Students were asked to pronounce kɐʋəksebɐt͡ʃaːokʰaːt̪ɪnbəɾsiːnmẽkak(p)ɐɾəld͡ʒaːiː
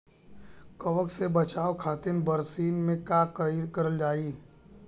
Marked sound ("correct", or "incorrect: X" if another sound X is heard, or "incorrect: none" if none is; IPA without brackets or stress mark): incorrect: k